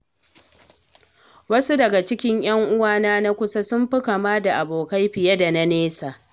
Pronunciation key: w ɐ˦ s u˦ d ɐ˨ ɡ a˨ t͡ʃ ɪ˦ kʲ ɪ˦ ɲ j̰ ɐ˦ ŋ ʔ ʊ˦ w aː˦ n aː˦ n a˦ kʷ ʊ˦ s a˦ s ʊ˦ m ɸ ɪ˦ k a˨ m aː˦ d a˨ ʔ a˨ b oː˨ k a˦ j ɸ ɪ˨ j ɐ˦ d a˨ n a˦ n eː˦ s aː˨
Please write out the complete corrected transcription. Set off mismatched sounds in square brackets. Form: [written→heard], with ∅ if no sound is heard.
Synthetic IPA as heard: w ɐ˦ s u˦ d ɐ˨ ɡ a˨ t͡ʃ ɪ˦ kʲ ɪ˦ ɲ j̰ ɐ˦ ŋ ʔ ʊ˦ w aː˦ n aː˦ n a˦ kʷ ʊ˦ s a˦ s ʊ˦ m ɸ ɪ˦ k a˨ m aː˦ d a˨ ʔ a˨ b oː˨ k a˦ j ɸ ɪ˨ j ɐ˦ d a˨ n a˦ n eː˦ s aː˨

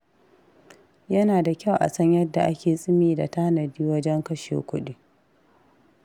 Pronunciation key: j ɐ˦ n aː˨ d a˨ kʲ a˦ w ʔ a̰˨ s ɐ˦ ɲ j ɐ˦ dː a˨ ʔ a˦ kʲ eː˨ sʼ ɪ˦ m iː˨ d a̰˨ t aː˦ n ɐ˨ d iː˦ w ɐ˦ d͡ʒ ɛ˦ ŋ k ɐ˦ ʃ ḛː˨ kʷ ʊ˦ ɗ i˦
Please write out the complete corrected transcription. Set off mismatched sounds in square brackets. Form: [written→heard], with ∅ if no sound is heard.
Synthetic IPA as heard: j ɐ˦ n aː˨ d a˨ kʲ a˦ w ʔ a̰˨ s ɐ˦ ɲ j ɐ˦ dː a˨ ʔ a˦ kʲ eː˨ sʼ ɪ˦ m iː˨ d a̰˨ t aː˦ n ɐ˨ d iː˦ w ɐ˦ d͡ʒ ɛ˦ ŋ k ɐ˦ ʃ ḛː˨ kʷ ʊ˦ ɗ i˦

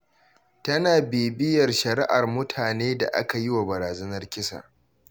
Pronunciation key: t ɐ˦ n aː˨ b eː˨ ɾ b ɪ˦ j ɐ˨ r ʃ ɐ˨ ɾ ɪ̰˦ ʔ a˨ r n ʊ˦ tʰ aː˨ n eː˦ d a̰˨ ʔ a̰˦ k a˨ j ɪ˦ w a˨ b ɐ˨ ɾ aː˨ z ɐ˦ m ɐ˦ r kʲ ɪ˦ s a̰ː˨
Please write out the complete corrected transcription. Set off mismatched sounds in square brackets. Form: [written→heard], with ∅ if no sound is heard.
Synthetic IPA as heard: t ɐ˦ n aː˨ b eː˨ [ɾ→∅] b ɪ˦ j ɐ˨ r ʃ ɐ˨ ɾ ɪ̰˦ ʔ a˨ r [n→m] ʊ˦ tʰ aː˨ n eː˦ d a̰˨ ʔ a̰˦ k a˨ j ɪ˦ w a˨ b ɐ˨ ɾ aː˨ z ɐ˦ [m→n] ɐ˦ r kʲ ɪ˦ s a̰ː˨

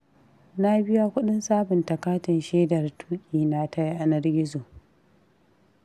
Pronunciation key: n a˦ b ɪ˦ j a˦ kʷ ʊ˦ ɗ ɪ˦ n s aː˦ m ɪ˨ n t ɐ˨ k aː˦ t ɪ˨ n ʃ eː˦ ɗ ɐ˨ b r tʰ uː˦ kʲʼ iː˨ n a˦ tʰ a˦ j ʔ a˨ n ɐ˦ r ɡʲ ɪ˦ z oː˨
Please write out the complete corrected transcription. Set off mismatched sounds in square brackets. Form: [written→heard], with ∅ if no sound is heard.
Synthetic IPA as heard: n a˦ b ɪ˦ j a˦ kʷ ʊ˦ ɗ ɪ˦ n s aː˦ [m→b] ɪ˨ n t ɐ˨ k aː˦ t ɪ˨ n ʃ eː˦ [ɗ→d] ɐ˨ [b→∅] r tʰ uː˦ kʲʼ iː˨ n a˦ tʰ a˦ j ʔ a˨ n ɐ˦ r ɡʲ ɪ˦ z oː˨

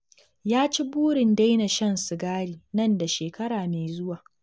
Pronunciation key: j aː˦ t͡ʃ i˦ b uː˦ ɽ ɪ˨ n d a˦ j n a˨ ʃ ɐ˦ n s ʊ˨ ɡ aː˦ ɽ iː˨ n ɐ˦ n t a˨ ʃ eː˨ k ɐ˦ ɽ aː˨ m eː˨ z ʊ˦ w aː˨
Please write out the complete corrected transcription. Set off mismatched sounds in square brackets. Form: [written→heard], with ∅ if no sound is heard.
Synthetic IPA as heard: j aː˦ t͡ʃ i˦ b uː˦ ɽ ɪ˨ n d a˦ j n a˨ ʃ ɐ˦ n s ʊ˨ ɡ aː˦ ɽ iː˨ n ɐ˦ n [t→d] a˨ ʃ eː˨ k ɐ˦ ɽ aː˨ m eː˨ z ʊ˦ w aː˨

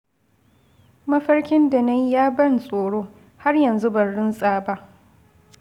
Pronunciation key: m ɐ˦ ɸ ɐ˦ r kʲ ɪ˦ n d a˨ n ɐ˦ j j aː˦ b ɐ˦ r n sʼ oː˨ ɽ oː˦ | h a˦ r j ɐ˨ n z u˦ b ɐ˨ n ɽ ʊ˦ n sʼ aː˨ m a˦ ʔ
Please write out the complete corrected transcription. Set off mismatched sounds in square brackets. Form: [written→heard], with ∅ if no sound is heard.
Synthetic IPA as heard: m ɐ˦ ɸ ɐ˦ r kʲ ɪ˦ n d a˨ n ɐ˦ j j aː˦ b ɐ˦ [r→∅] n sʼ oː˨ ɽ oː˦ | h a˦ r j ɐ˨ n z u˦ b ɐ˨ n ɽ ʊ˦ n sʼ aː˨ [m→b] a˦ ʔ

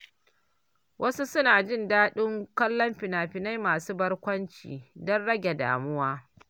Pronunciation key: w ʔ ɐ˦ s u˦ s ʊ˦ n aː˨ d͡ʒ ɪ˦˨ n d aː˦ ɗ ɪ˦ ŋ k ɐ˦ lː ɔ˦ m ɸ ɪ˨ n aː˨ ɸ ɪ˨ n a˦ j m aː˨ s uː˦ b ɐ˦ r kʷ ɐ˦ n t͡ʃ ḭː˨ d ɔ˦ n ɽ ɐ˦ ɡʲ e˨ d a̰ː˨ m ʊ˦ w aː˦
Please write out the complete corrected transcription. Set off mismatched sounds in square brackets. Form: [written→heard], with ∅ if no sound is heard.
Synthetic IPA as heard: w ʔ ɐ˦ s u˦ s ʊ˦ n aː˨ d͡ʒ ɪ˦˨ n d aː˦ ɗ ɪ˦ ŋ k ɐ˦ lː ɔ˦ m ɸ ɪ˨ n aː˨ ɸ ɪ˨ n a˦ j m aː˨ s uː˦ b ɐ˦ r kʷ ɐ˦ n t͡ʃ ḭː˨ d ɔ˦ n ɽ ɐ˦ ɡʲ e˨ d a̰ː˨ m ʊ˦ w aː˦

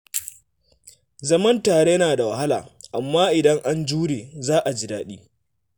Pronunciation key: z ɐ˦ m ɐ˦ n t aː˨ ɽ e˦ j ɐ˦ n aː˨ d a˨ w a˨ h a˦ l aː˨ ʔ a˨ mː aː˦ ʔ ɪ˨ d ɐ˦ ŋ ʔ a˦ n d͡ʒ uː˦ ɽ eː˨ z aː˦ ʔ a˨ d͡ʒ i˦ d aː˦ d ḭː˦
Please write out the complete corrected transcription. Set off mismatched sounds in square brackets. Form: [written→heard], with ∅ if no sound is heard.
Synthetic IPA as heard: z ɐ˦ m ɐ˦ n t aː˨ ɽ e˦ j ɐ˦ n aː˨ d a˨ w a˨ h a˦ l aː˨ ʔ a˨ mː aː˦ ʔ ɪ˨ d ɐ˦ ŋ ʔ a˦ n d͡ʒ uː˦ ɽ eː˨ z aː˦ ʔ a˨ d͡ʒ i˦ d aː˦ [d→ɗ] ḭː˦

